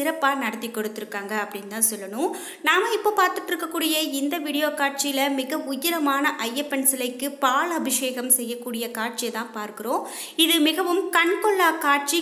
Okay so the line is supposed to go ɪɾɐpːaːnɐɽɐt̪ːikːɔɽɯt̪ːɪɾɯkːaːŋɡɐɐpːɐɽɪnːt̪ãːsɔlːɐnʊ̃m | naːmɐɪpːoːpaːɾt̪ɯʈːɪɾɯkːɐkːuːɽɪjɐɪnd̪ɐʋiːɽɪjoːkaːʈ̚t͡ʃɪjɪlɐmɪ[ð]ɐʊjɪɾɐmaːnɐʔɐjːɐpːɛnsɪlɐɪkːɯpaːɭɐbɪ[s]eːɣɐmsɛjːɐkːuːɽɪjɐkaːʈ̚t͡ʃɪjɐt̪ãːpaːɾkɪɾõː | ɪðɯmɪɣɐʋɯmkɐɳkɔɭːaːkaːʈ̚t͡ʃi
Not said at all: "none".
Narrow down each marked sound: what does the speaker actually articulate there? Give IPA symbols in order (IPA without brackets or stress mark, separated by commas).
ɣ, ʂ